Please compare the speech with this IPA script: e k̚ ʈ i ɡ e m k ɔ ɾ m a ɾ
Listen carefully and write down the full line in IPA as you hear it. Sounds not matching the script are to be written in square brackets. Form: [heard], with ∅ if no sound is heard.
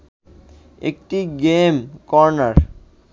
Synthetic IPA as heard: e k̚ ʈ i ɡ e m k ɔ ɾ [n] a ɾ